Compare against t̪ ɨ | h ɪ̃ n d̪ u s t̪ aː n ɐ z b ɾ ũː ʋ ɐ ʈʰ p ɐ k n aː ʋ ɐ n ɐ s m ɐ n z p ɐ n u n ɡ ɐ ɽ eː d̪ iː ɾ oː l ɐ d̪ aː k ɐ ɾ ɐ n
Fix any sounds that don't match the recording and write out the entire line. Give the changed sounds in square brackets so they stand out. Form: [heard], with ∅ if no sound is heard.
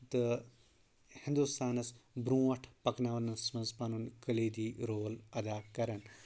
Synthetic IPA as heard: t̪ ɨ | h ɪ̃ n d̪ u s t̪ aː n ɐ [s] b ɾ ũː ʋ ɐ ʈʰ p ɐ k n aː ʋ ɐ n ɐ s m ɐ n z p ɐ n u n [k] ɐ [l] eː d̪ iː ɾ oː l ɐ d̪ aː k ɐ ɾ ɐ n